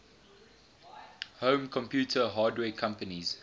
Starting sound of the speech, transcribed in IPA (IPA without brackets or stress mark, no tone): h